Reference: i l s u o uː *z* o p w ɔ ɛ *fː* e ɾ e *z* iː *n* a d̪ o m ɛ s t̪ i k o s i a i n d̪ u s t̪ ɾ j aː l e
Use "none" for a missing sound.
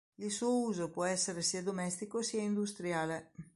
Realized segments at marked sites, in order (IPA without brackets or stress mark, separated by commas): z, sː, s, none